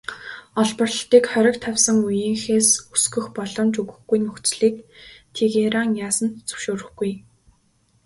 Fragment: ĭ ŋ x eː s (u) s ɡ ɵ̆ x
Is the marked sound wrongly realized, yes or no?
no